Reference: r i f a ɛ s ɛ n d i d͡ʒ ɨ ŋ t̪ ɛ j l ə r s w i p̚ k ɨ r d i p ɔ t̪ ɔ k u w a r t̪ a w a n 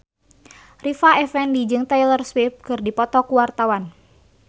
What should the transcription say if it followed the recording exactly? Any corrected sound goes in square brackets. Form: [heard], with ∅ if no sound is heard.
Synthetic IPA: r i f a ɛ [f] ɛ n d i d͡ʒ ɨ ŋ t̪ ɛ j l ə r s w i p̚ k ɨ r d i p ɔ t̪ ɔ k u w a r t̪ a w a n